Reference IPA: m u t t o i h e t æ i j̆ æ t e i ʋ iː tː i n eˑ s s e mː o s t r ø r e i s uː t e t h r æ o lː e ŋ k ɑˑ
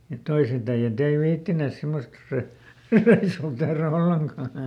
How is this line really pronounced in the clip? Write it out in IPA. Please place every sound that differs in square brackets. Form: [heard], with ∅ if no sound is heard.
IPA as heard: m u t t o i [s] e t æ i j̆ æ t e i ʋ iː tː i n eˑ s s e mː o s t r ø r e i s uː t e [∅] h r æ o lː e ŋ k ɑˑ